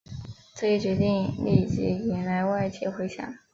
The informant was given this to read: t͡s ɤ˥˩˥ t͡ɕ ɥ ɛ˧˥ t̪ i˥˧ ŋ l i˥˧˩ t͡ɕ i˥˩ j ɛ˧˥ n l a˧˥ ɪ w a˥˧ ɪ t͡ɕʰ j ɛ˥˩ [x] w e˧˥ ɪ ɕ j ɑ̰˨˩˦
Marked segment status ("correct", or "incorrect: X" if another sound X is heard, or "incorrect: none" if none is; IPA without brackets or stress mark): correct